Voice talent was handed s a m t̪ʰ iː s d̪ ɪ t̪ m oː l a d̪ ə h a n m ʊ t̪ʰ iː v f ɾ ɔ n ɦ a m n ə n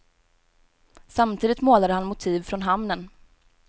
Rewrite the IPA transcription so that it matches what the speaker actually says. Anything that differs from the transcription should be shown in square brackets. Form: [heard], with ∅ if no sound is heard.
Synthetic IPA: s a m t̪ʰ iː [∅] d̪ ɪ t̪ m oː l a d̪ ə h a n m ʊ t̪ʰ iː v f ɾ ɔ n ɦ a m n ə n